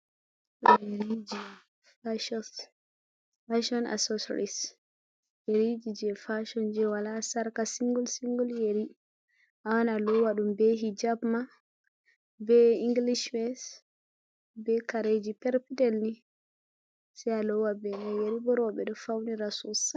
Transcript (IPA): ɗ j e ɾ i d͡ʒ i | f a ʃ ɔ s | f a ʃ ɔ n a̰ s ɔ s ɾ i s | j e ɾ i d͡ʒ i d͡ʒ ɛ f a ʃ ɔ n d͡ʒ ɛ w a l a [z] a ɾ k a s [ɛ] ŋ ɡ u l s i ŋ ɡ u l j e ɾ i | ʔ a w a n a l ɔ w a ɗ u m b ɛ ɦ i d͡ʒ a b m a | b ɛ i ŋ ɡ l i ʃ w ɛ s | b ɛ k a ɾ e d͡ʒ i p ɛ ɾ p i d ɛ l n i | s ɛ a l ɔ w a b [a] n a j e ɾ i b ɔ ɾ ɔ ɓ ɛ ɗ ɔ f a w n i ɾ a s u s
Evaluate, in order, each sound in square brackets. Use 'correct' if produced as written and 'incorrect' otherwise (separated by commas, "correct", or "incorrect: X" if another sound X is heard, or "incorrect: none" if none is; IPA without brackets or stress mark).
incorrect: s, incorrect: i, incorrect: ɛ